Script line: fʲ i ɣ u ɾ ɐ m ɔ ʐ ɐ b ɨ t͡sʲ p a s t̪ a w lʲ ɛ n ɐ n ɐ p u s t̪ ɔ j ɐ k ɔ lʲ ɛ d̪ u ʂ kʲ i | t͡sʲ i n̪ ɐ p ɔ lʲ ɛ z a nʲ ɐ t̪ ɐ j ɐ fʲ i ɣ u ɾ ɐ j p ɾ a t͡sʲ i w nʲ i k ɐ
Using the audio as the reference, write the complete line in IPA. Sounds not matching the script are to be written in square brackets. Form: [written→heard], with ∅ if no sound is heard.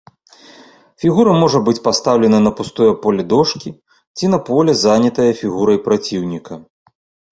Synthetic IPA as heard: fʲ i ɣ u ɾ ɐ m ɔ ʐ ɐ b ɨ t͡sʲ p a s t̪ a w lʲ ɛ n ɐ n ɐ p u s t̪ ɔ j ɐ [k→p] ɔ lʲ ɛ d̪ [u→ɔ] ʂ kʲ i | t͡sʲ i n̪ ɐ p ɔ lʲ ɛ z a nʲ ɐ t̪ ɐ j ɐ fʲ i ɣ u ɾ ɐ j p ɾ a t͡sʲ i w nʲ i k ɐ